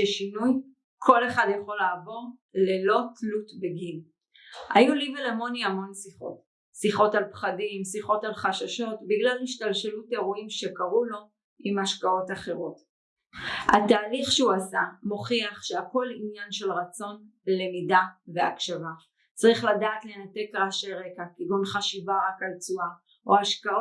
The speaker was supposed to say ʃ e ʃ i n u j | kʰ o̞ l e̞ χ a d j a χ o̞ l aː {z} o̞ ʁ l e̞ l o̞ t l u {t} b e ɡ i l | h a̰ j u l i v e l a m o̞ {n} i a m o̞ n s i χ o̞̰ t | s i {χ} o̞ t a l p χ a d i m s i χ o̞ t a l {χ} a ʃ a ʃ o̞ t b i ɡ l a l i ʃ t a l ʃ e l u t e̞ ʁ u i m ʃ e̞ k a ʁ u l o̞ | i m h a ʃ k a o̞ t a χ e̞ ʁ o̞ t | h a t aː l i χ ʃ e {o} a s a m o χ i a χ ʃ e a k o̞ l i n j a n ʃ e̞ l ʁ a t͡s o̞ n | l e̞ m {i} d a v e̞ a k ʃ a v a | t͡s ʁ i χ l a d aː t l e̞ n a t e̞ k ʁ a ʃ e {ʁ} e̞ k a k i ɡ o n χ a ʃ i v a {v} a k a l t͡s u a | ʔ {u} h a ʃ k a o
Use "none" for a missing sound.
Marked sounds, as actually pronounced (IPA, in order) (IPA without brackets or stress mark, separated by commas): v, t, n, χ, χ, u, i, ʁ, ʁ, o